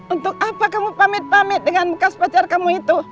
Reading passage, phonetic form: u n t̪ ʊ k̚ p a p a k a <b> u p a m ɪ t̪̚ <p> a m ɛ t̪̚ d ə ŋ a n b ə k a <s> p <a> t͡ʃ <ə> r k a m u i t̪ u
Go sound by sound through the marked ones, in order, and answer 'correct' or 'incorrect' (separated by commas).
incorrect, correct, correct, correct, incorrect